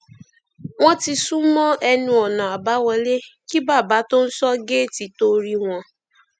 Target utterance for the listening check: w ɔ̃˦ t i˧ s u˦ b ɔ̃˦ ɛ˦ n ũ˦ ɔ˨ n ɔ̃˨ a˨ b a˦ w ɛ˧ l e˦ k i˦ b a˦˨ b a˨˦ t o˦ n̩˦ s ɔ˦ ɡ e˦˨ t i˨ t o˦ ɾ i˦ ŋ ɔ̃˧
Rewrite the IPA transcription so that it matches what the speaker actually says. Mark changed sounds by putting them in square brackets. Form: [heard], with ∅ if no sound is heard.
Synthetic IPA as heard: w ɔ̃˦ t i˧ s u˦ [m] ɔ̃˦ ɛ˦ n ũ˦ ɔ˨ n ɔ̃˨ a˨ b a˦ w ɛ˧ l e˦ k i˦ b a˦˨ b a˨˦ t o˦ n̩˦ s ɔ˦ ɡ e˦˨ t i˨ t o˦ ɾ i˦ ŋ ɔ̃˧